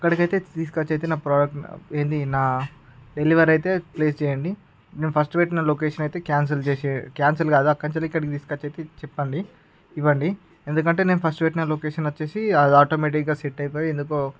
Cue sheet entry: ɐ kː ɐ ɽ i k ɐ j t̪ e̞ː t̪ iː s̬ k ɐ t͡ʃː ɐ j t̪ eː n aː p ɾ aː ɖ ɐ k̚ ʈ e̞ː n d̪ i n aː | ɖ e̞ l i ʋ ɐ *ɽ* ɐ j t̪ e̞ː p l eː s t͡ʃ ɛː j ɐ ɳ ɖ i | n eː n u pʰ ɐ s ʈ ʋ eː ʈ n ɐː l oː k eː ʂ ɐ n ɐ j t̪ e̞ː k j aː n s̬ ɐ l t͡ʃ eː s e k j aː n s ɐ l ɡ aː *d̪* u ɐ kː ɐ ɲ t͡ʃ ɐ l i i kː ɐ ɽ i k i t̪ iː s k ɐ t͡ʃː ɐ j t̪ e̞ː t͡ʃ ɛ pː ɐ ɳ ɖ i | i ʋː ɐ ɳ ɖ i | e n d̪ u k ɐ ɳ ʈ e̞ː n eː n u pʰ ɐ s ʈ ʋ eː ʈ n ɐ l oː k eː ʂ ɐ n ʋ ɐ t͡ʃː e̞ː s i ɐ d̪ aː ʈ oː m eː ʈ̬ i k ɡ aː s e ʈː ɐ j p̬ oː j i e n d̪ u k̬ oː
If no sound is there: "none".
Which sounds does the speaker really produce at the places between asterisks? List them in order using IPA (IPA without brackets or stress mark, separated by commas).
ɾ, d̪